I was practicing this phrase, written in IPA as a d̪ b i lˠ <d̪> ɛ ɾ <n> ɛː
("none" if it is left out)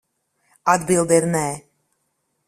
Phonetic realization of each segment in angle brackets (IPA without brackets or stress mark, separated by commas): d̪, n